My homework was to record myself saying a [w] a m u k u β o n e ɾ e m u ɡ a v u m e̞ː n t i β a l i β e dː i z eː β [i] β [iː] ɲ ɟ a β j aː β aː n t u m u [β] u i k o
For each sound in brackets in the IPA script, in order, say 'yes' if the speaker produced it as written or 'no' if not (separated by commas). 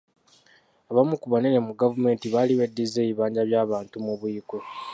no, yes, no, yes